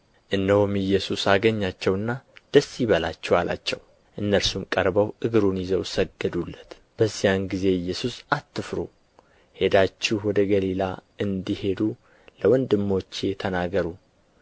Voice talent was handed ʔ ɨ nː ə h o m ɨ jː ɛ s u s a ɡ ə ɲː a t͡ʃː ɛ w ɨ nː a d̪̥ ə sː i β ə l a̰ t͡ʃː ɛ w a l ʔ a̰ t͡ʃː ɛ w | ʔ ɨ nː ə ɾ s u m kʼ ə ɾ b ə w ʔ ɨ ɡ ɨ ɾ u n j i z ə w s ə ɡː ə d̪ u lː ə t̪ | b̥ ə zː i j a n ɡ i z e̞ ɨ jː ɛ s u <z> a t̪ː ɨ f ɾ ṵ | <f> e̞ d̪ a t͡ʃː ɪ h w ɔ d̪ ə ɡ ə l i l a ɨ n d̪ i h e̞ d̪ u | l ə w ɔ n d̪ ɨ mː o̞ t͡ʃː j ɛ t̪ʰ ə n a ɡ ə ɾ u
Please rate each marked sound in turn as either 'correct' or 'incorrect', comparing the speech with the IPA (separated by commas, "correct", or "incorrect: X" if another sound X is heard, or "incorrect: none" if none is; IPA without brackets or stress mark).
incorrect: s, incorrect: h